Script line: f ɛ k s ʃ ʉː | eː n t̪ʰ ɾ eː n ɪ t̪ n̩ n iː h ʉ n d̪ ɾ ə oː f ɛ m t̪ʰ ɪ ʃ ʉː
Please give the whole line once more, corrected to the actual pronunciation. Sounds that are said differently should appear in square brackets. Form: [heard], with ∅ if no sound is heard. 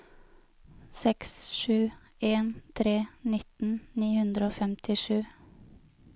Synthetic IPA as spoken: [s] ɛ k s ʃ ʉː | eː n t̪ʰ ɾ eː n ɪ t̪ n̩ n iː h ʉ n d̪ ɾ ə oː f ɛ m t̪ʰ ɪ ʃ ʉː